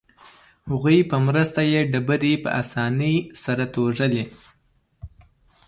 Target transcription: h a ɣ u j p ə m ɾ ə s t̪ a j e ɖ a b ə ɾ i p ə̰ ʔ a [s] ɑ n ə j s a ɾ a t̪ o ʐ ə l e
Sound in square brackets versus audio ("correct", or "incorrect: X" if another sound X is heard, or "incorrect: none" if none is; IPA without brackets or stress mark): correct